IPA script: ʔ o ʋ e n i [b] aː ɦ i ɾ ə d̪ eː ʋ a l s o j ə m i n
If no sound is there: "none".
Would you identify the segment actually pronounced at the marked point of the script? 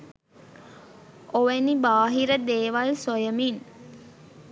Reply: b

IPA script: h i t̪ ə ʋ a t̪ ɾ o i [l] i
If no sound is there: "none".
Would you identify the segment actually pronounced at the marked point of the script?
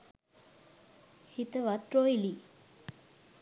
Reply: l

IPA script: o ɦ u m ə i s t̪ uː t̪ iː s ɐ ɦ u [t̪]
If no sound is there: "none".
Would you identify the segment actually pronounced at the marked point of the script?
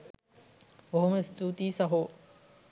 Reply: none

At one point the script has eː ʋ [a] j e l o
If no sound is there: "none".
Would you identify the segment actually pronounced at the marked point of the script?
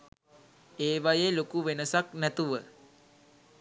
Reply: a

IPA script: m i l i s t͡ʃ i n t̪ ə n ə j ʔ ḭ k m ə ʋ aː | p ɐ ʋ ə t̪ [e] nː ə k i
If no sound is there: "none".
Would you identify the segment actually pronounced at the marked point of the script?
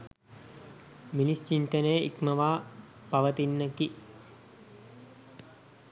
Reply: i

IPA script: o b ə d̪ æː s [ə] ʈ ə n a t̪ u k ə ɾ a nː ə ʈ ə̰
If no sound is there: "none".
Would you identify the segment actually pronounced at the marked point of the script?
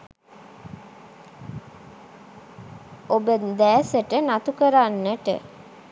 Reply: ə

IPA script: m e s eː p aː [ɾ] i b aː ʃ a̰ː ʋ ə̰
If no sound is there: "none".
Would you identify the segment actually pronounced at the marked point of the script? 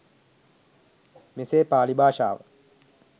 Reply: l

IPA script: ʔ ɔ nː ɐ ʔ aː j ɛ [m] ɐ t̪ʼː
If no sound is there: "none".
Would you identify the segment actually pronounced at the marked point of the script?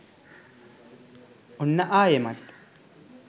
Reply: m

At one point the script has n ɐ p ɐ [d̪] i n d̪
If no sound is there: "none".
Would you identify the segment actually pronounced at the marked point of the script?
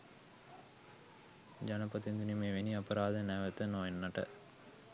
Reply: t̪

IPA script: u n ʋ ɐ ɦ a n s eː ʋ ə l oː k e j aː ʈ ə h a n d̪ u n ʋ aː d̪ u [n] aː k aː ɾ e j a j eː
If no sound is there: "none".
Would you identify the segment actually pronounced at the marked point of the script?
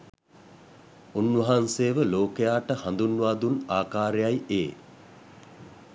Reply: n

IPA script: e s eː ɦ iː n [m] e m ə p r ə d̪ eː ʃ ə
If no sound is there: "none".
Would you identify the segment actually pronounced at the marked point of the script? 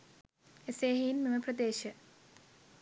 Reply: m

